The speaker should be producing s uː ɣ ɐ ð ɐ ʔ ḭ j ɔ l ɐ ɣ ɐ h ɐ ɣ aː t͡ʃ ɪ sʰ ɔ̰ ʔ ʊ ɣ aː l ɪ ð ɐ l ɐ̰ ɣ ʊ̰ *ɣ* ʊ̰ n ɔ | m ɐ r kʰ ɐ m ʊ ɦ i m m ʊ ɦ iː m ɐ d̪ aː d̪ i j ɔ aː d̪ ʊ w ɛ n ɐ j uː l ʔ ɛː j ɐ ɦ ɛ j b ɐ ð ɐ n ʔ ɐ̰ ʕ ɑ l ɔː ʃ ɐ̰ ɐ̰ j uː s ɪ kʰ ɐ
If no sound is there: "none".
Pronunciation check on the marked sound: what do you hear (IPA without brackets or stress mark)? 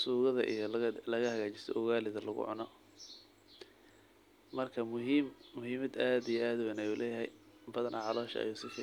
ʕ